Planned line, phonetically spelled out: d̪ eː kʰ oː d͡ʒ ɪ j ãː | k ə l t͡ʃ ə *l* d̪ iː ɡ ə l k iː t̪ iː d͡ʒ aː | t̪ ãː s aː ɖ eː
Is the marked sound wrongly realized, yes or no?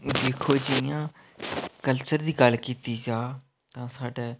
yes